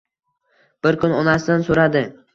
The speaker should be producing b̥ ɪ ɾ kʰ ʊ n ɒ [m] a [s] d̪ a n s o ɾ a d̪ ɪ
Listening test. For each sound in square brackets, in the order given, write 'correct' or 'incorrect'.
incorrect: n, correct

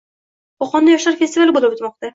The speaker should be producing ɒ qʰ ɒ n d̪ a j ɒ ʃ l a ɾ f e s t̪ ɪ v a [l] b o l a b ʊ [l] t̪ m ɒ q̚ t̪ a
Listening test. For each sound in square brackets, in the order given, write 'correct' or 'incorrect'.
correct, incorrect: none

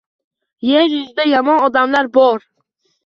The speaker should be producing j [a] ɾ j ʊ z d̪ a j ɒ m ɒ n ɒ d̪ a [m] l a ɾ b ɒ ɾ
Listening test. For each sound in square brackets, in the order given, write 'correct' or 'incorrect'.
incorrect: e, correct

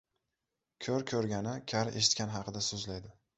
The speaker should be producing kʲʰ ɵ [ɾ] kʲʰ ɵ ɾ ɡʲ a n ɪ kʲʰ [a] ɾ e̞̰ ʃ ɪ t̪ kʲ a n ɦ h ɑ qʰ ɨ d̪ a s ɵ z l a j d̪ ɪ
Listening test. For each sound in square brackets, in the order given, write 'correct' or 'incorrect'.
correct, correct

